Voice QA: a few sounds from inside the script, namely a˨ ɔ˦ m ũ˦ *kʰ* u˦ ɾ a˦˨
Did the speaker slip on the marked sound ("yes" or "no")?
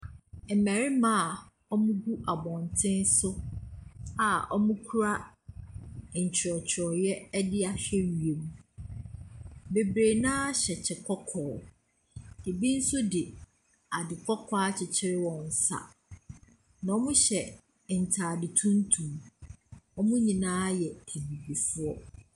no